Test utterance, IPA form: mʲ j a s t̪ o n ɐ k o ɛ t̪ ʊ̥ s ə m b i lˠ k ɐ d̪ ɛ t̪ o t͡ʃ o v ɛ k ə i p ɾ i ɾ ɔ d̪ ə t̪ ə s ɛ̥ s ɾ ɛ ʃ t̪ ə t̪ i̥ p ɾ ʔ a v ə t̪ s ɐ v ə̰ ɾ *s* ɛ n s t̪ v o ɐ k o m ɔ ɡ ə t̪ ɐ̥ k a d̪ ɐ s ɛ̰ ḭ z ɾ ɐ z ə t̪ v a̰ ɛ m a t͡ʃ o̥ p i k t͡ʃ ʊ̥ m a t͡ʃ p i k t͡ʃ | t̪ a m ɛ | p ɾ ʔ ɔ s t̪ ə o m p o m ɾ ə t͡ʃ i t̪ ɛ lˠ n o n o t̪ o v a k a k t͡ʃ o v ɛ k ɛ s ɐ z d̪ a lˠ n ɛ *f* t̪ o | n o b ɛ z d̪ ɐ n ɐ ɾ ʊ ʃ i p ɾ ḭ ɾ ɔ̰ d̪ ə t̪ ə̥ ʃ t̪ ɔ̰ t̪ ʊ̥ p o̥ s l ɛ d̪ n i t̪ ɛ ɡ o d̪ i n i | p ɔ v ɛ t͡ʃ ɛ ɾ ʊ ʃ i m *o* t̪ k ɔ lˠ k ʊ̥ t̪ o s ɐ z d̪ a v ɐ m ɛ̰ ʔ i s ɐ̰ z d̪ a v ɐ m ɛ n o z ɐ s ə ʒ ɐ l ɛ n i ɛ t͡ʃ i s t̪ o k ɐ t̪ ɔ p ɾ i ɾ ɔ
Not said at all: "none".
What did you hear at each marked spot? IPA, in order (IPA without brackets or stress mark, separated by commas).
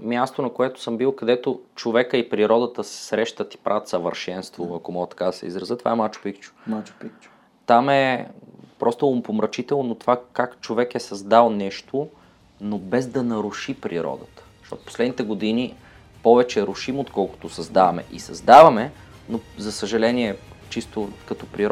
ʃ, ʃ, o